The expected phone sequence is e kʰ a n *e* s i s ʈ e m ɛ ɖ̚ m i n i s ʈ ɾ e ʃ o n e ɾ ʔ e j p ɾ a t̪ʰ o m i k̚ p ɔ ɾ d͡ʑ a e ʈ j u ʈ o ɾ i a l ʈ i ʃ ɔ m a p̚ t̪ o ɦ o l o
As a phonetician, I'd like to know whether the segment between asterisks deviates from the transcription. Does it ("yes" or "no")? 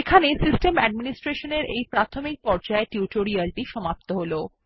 no